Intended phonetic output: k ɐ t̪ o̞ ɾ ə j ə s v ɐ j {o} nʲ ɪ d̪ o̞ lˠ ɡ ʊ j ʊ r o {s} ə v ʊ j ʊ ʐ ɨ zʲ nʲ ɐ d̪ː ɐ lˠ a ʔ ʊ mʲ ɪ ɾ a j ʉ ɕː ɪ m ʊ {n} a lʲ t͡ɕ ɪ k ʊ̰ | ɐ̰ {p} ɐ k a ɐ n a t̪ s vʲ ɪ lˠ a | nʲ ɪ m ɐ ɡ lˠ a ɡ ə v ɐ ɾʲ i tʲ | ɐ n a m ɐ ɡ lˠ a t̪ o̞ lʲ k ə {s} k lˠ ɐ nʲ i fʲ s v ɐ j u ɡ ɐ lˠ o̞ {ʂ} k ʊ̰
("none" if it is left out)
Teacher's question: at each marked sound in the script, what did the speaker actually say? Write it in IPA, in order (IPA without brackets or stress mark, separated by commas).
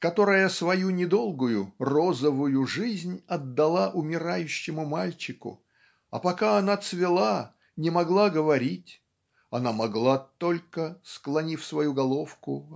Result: u, z, m, p, s, f